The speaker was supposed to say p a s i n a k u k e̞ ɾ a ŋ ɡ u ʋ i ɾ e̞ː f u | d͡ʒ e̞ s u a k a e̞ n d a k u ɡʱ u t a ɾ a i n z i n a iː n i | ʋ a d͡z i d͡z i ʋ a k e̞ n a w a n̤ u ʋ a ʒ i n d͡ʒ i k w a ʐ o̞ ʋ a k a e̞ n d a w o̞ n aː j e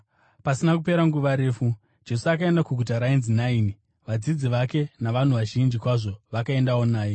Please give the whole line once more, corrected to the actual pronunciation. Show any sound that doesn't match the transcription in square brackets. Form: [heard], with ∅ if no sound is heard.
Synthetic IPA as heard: p a s i n a k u [p] e̞ ɾ a ŋ ɡ u ʋ [a] ɾ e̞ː f u | d͡ʒ e̞ s u a k a e̞ n d a k u ɡʱ u t a ɾ a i n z i n a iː n i | ʋ a d͡z i d͡z i ʋ a k e̞ n a [ʋ] a n̤ u ʋ a ʒ i n d͡ʒ i k w a ʐ o̞ ʋ a k a e̞ n d a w o̞ n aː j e